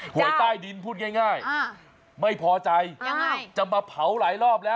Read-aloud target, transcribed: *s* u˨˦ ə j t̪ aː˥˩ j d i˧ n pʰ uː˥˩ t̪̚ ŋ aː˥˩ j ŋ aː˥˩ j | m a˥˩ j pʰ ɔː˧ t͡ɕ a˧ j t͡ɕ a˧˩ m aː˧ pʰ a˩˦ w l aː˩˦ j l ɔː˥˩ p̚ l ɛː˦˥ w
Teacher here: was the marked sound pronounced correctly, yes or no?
no